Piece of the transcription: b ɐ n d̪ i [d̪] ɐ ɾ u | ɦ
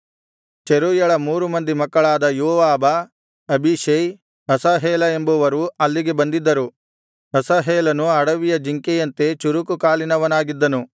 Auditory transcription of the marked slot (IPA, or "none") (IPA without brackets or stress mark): d̪ː